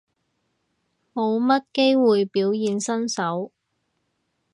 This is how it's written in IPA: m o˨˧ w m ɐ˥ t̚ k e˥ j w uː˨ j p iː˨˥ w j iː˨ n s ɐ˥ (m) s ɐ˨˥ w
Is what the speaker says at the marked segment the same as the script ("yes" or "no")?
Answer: no